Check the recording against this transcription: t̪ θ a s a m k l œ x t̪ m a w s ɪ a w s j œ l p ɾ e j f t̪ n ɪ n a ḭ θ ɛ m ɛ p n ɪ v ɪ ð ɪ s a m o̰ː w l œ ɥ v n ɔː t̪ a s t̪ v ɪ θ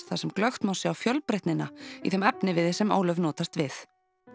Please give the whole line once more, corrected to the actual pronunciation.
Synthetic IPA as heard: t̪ θ a s ɛ m k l œ x t̪ m a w s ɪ a w f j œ l p ɾ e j h t̪ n ɪ n a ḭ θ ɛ m ɛ p n ɪ v ɪ ð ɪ s ɛ m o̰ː w l œ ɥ v n ɔː t̪ a s t̪ v ɪ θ